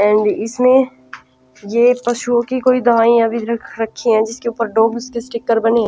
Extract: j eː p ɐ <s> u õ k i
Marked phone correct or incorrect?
incorrect